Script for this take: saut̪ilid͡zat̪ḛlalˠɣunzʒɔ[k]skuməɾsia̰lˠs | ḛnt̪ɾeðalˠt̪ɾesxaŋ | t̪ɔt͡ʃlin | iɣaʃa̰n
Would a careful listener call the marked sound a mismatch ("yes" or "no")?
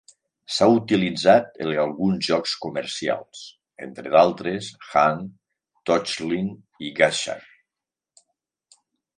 no